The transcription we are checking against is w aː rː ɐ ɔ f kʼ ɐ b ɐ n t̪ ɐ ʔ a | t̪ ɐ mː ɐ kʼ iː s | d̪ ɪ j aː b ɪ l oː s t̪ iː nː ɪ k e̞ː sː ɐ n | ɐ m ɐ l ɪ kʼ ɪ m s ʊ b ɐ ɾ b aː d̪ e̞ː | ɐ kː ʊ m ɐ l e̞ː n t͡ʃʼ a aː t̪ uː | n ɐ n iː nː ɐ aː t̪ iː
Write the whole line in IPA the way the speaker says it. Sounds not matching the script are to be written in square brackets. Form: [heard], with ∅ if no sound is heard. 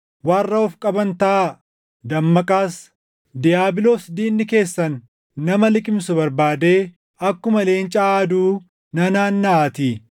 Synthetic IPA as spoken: w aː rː ɐ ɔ f kʼ ɐ b ɐ n t̪ ɐ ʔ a | [d̪] ɐ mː ɐ kʼ [aː] s | d̪ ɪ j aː b ɪ l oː s [d̪] iː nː ɪ k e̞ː sː ɐ [nː] | ɐ m ɐ l ɪ kʼ ɪ m s ʊ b ɐ ɾ b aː d̪ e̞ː | ɐ kː ʊ m ɐ l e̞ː n t͡ʃʼ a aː [d̪] uː | n ɐ n [aː] nː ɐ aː t̪ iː